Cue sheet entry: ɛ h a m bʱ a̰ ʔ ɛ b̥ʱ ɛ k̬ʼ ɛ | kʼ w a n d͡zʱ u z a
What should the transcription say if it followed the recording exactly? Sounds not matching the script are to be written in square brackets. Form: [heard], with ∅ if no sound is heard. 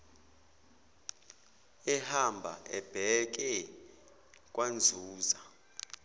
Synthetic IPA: ɛ h a m bʱ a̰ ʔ ɛ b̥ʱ ɛ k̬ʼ ɛ | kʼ w a n d͡zʱ [uː] z a

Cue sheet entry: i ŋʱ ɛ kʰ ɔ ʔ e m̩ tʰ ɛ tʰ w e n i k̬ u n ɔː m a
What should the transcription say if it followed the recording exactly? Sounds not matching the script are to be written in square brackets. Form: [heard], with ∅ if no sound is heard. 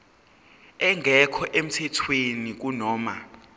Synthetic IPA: [ɛ] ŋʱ ɛ kʰ ɔ ʔ e m̩ tʰ ɛ tʰ w e n i k̬ u n ɔː m a

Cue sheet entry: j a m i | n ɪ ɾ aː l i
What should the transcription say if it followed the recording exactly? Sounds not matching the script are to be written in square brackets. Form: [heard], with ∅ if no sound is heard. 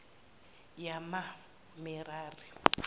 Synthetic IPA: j a m [a] | [m] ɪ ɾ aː [r] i

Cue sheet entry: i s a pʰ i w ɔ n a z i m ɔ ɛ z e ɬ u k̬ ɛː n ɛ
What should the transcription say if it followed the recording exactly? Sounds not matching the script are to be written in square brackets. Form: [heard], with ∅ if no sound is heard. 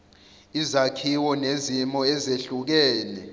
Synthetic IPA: i [z] a [kʰ] i w ɔ n [e] z i m ɔ ɛ z e ɬ u k̬ ɛː n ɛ

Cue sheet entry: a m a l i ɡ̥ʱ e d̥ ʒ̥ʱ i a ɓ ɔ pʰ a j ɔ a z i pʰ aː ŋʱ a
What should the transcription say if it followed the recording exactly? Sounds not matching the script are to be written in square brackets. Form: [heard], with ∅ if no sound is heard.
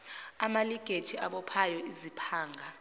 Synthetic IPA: a m a l i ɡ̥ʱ e d̥ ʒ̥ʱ i a ɓ ɔ pʰ a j ɔ [i] z i pʰ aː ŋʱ a

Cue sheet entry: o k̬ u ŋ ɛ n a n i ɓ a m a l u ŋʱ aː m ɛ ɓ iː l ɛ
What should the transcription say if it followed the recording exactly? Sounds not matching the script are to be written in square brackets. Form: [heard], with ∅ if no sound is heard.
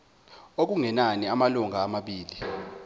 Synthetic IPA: o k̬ u ŋ ɛ n a n i [∅] a m a l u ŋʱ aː m [a] ɓ iː l [i]

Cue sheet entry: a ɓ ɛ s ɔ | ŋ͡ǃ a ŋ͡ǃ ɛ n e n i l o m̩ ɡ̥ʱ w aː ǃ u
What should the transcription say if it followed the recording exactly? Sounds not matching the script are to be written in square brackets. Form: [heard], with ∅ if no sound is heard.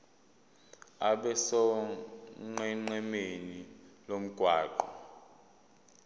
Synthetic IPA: a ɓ ɛ s ɔ | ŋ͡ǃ [ɛ] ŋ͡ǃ ɛ [m] e n i l o m̩ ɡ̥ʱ w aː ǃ [ɔ]

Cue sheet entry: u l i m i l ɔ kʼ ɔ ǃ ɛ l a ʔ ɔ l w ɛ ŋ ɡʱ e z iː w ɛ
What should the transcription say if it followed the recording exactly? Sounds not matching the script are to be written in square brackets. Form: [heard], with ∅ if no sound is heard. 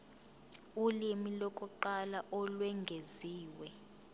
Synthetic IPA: u l i m i l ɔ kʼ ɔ ǃ [a] l a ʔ ɔ l w ɛ ŋ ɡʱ e z iː w ɛ

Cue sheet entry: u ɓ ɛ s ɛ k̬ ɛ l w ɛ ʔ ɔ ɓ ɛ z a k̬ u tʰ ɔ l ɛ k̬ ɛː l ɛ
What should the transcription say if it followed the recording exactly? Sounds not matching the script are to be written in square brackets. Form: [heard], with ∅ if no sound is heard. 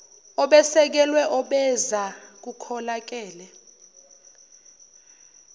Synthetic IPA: [ɔ] ɓ ɛ s ɛ k̬ ɛ l w ɛ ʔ ɔ ɓ ɛ z a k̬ u [kʰ] ɔ l [a] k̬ ɛː l ɛ

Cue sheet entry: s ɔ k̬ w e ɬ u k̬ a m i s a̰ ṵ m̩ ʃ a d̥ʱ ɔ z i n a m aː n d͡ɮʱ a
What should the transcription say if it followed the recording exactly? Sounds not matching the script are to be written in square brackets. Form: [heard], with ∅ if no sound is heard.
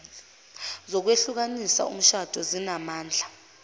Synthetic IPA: [z] ɔ k̬ w e ɬ u k̬ a [n] i s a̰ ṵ m̩ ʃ a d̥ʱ ɔ z i n a m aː n d͡ɮʱ a

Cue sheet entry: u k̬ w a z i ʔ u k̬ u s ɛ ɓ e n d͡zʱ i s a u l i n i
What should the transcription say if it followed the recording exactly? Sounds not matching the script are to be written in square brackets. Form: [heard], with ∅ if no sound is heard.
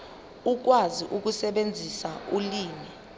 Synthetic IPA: u k̬ w a z i ʔ u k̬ u s ɛ ɓ e n d͡zʱ i s a u l [iː] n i

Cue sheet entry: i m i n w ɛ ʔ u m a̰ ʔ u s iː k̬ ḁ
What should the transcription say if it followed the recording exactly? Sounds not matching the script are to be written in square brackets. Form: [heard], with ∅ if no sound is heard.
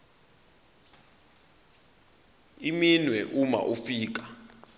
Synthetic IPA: i m i n w ɛ ʔ u m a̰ ʔ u [f] iː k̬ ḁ

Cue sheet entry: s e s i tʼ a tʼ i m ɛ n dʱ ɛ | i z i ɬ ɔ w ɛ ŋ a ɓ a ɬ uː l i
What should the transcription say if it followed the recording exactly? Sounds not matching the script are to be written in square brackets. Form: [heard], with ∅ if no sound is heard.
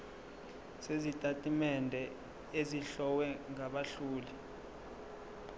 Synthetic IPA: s e [z] i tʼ a tʼ i m ɛ n dʱ ɛ | [e] z i ɬ ɔ w ɛ ŋ a ɓ a ɬ uː l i

